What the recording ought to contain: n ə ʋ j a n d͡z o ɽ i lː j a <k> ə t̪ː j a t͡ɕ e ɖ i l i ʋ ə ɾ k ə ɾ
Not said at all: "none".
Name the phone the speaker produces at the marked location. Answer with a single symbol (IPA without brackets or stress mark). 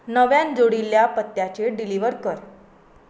p